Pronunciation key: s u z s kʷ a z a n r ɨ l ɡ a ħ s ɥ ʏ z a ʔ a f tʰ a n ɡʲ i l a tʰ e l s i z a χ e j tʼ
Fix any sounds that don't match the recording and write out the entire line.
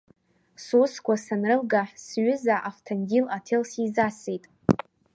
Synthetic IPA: s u s kʷ a s a n r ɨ l ɡ a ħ s ɥ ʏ z a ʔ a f tʰ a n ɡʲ i l a tʰ e l s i z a s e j tʼ

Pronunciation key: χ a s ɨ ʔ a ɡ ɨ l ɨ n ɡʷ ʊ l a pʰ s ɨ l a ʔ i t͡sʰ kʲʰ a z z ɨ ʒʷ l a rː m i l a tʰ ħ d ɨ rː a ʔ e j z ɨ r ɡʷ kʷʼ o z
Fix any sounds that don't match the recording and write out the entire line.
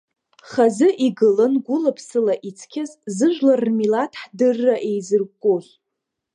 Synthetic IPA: χ a z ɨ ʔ i ɡ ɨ l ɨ n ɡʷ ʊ l a pʰ s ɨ l a ʔ i t͡sʰ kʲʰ a z z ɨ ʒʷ l a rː m i l a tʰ ħ d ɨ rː a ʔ e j z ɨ r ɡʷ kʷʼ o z

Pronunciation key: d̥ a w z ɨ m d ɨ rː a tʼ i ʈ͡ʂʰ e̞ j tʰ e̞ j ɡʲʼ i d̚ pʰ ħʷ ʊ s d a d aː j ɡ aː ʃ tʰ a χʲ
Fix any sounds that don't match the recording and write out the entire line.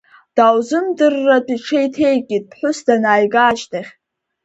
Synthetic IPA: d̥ a w z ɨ m d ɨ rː a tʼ i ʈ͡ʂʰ e̞ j tʰ e̞ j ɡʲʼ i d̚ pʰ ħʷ ʊ s d a n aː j ɡ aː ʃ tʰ a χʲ

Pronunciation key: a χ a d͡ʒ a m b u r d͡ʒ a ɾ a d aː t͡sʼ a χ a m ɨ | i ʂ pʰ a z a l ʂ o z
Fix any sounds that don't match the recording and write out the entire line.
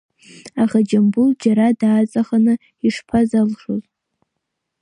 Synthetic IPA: a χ a d͡ʒ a m b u l d͡ʒ a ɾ a d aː t͡sʼ a χ a n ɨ | i ʂ pʰ a z a l ʂ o z

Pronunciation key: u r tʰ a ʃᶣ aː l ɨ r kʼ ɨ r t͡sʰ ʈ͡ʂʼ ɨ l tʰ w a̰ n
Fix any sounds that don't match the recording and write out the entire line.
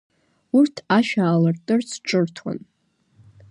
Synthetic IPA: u r tʰ a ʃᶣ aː l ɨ r tʼ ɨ r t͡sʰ ʈ͡ʂʼ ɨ r tʰ w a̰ n

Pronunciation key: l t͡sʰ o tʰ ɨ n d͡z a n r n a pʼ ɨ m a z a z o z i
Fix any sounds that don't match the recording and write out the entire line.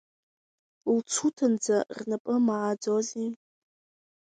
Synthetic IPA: l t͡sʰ u tʰ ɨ n d͡z a r n a pʼ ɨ m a ʕ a d͡z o z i

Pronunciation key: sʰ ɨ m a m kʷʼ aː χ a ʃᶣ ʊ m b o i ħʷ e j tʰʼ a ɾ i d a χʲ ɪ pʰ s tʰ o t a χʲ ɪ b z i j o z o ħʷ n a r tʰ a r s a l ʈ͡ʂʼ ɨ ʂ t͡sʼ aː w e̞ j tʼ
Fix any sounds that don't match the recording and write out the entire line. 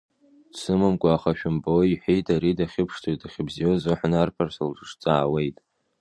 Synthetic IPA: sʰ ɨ m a m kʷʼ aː χ a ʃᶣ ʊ m b o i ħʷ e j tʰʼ a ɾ i d a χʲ ɪ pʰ ʂ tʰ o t a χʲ ɪ b z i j o z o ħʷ n a r pʰ a r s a l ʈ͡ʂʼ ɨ ʂ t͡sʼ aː w e̞ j tʼ

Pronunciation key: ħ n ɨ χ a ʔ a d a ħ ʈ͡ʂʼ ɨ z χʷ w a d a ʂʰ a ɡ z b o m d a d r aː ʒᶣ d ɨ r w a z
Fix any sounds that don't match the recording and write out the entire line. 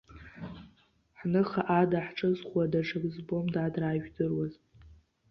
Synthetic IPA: ħ n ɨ χ a ʔ a d a ħ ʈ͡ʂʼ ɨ z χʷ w a d a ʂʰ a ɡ z b o m d a d r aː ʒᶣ d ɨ r w a z

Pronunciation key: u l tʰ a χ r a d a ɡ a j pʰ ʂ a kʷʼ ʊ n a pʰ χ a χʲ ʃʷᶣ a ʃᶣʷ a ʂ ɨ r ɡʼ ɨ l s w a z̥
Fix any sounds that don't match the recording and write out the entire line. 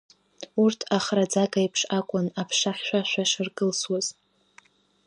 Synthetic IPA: u r tʰ a χ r a d͡z a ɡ a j pʰ ʂ a kʷʼ ʊ n a pʰ ʂ a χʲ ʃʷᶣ a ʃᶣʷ a ʂ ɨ r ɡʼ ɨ l s w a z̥

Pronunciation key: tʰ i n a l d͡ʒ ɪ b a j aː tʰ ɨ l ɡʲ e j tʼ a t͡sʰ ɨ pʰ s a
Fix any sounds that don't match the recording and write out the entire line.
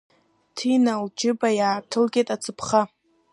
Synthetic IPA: tʰ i n a l d͡ʒ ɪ b a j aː tʰ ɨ l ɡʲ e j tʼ a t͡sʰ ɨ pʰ χ a

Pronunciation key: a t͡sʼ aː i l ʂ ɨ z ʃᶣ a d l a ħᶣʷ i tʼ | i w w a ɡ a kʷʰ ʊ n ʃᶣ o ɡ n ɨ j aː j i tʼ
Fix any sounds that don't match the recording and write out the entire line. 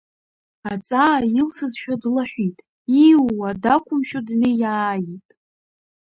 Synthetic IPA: a t͡sʼ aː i l s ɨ z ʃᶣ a d l a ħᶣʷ i tʼ | i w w a d a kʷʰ ʊ m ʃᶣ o d n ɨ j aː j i tʼ

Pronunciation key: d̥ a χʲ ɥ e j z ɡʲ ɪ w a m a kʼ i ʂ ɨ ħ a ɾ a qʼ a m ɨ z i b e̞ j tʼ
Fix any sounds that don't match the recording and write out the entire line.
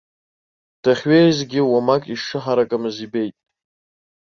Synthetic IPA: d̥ a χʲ ɥ e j z ɡʲ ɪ w a m a kʼ i ʂ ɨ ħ a ɾ a kʼ a m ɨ z i b e̞ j tʼ

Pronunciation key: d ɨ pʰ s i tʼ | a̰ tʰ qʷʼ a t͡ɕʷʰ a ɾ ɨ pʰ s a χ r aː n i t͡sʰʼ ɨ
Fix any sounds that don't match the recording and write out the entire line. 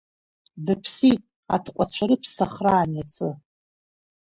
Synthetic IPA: d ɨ pʰ s i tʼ | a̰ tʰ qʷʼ a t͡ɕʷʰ a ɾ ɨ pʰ s a χ r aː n a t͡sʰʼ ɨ

